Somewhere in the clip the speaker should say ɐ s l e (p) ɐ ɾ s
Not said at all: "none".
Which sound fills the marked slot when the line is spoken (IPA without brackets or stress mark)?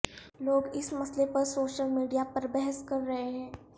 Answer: p